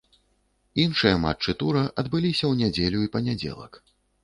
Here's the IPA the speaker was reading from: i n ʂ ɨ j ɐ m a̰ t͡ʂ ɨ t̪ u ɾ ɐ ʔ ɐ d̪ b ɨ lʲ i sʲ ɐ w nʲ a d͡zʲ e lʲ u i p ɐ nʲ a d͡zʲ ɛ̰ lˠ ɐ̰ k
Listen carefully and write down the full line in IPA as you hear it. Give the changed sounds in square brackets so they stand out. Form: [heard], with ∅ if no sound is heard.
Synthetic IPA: i n ʂ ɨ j ɐ m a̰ t͡ʂ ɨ t̪ u ɾ ɐ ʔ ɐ d̪ b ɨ lʲ i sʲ ɐ w nʲ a d͡zʲ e lʲ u i p ɐ nʲ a d͡zʲ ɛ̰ lˠ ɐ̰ k